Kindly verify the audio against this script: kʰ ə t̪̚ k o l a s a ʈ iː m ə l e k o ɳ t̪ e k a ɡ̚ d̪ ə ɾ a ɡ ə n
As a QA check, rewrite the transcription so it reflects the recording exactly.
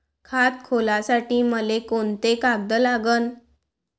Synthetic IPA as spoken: kʰ a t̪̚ kʰ o l a s a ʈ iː m ə l e k o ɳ t̪ e k a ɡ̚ d̪ ə l a ɡ ə n